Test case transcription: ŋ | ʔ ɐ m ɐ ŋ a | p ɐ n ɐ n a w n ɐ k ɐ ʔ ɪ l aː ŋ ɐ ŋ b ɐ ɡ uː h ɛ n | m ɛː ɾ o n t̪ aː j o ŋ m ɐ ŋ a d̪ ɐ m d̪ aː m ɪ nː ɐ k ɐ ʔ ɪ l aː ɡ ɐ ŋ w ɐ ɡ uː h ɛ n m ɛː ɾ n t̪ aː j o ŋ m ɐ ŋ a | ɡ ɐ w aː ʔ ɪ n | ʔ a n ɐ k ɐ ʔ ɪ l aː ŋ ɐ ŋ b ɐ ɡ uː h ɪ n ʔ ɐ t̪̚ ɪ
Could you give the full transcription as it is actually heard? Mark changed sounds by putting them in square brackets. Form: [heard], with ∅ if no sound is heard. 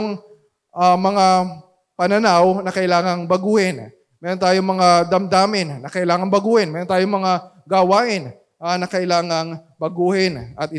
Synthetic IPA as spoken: ŋ | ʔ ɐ m ɐ ŋ a | p ɐ n ɐ n a w n ɐ k ɐ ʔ ɪ l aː ŋ ɐ ŋ b ɐ ɡ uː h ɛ n | m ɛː ɾ o n t̪ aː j o ŋ m ɐ ŋ a d̪ ɐ m d̪ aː m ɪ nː ɐ k ɐ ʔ ɪ l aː [ŋ] ɐ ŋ [b] ɐ ɡ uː h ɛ n m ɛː ɾ n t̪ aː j o ŋ m ɐ ŋ a | ɡ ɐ w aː ʔ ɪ n | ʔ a n ɐ k ɐ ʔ ɪ l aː ŋ ɐ ŋ b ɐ ɡ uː h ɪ n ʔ ɐ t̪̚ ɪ